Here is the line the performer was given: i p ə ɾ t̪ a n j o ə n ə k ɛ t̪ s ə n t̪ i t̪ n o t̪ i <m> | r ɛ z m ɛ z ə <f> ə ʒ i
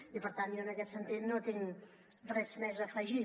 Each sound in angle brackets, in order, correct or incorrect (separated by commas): incorrect, correct